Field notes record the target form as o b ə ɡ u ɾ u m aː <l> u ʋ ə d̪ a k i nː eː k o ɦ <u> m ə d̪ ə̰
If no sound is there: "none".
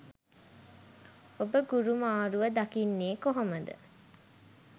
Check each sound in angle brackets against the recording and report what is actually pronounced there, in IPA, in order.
ɾ, o

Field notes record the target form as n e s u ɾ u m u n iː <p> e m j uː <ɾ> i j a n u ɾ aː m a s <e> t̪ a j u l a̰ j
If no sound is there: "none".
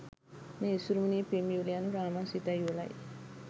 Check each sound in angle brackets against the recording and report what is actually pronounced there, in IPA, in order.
p, l, i

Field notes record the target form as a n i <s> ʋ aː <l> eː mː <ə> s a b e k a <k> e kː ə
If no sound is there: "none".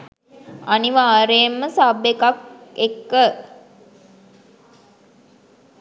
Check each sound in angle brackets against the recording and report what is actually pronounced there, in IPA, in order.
none, ɾ, ə, k

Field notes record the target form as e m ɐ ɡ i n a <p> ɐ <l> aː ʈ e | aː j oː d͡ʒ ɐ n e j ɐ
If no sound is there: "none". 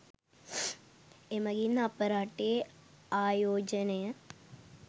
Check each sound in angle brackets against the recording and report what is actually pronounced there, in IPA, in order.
p, ɾ

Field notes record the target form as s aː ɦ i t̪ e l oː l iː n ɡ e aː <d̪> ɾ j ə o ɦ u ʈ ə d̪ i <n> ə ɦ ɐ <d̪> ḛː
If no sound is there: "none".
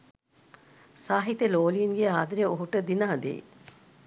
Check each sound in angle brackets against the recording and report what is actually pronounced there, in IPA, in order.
d̪, n, d̪

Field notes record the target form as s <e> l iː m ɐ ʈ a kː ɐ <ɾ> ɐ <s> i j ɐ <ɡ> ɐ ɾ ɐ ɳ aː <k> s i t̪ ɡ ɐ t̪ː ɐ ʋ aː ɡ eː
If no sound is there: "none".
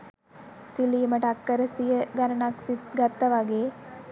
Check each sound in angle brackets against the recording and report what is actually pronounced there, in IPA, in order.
i, ɾ, s, ɡ, k

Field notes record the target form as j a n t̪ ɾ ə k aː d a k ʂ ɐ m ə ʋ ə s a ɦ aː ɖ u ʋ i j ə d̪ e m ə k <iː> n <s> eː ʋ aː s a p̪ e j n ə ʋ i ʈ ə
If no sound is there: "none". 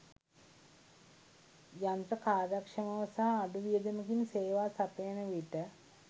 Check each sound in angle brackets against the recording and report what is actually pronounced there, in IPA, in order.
i, s

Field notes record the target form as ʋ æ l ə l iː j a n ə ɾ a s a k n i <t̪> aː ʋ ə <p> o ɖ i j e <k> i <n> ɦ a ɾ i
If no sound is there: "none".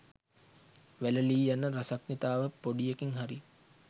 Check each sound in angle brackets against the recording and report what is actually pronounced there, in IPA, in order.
t̪, p, k, ŋ

